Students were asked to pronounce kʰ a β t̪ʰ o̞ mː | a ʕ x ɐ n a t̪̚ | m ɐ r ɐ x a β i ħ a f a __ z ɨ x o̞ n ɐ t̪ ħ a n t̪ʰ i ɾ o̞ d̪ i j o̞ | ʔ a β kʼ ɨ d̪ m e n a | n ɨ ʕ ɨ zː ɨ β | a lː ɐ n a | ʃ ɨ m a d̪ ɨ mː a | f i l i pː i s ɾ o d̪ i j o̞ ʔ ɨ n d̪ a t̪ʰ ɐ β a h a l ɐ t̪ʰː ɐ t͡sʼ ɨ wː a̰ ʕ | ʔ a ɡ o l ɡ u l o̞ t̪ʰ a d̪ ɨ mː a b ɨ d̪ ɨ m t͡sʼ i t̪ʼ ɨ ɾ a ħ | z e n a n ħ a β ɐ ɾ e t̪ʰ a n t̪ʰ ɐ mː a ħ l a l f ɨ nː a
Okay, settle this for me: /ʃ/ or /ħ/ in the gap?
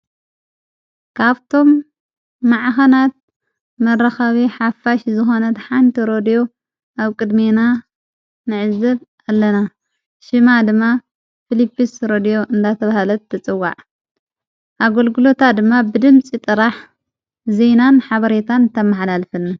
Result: ʃ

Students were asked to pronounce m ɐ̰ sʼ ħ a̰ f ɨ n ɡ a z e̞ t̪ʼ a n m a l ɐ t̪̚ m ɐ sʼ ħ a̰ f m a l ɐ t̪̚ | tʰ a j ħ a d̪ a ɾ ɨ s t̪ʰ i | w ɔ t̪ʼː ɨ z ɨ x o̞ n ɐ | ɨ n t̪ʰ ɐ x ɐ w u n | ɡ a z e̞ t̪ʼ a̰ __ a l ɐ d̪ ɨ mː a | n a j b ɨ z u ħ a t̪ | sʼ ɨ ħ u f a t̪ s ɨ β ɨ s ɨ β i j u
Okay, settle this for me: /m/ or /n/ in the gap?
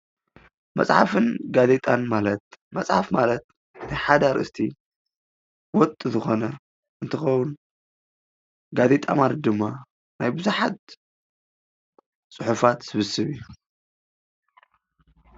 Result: m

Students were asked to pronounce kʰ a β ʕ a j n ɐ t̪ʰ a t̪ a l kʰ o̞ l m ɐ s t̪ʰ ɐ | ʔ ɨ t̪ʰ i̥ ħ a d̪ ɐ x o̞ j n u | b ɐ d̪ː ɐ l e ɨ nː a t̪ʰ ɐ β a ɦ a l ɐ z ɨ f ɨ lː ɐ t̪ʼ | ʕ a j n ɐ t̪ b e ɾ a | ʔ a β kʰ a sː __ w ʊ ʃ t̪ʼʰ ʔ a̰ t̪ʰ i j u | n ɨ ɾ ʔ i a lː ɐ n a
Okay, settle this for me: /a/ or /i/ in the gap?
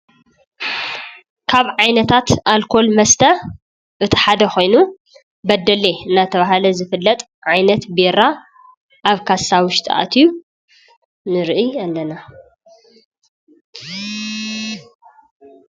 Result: a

